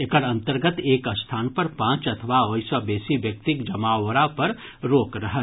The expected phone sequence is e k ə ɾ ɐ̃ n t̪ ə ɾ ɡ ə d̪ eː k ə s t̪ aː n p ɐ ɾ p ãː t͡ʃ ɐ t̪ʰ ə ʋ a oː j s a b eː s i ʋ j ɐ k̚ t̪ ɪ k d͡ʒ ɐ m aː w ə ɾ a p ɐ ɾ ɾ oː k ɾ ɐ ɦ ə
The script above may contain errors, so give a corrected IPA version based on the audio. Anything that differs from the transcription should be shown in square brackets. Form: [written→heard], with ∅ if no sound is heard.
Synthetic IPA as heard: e k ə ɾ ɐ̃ n t̪ ə ɾ ɡ ə [d̪→t̪] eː k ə s [t̪→t̪ʰ] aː n p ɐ ɾ p ãː t͡ʃ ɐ t̪ʰ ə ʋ a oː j s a b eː s i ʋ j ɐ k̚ t̪ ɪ k d͡ʒ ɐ m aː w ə ɾ a p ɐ ɾ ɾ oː k ɾ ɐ ɦ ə